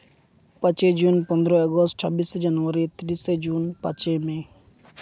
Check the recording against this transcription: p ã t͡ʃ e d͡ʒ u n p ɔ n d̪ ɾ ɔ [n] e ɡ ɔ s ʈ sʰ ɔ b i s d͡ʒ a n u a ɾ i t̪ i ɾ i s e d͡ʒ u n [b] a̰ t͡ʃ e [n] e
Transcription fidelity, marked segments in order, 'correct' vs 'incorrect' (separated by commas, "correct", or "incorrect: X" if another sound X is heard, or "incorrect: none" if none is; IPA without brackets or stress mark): incorrect: none, incorrect: p, incorrect: m